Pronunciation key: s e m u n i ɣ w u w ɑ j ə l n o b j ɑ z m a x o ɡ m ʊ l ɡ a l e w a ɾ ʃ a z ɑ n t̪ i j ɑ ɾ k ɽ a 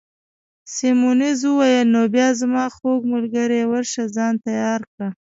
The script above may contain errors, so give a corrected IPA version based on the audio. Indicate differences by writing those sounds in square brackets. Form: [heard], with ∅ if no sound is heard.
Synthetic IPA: s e m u n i [z] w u w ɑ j ə l n o b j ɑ z m [ɑ] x o ɡ m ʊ l ɡ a [ɾ] e w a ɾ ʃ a z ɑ n t̪ [a] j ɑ ɾ k ɽ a